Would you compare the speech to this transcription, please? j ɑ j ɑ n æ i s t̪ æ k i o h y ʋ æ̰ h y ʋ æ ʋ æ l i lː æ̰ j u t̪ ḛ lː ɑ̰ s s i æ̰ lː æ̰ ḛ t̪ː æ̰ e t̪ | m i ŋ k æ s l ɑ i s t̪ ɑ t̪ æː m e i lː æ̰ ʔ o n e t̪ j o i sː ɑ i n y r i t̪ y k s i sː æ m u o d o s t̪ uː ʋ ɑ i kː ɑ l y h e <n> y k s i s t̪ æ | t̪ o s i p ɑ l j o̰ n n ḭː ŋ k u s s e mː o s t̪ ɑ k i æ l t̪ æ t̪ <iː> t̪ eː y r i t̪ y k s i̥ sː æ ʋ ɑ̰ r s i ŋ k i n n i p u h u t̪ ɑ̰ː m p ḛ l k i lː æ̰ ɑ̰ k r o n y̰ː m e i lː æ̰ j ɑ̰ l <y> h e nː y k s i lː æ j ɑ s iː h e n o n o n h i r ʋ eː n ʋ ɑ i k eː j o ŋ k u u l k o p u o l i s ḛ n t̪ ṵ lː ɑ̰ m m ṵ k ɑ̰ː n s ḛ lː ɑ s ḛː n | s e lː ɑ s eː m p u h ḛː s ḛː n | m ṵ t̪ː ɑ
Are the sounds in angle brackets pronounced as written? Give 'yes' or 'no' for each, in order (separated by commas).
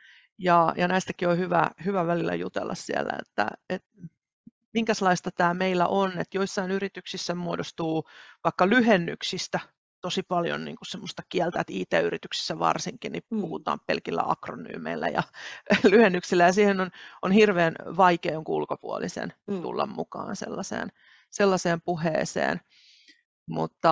no, yes, yes